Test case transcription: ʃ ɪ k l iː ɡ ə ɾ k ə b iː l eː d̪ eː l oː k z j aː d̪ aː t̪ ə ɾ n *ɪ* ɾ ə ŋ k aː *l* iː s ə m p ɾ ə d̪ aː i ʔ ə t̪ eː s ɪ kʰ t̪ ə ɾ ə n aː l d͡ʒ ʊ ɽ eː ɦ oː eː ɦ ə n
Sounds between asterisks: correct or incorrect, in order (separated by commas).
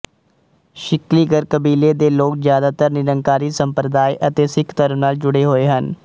correct, incorrect